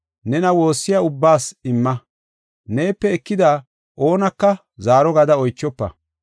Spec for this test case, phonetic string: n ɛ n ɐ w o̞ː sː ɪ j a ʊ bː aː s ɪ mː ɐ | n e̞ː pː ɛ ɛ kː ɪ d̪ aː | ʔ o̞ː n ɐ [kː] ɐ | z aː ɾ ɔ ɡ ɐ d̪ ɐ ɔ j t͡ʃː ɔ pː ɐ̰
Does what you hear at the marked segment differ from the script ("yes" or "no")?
no